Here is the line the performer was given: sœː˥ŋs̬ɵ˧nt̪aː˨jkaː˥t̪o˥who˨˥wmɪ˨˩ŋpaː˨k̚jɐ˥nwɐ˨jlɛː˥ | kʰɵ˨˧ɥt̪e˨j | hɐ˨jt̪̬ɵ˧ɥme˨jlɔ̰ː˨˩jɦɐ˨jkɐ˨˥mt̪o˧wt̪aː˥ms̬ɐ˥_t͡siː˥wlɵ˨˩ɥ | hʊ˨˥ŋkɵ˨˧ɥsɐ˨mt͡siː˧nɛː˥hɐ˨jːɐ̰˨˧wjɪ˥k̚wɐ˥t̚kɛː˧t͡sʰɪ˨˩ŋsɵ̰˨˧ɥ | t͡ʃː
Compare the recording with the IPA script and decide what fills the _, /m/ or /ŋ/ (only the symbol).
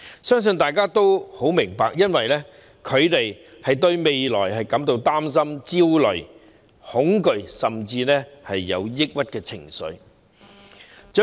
m